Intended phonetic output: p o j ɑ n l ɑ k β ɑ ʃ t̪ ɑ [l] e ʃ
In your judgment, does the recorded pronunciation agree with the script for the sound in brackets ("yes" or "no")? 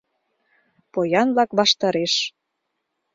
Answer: no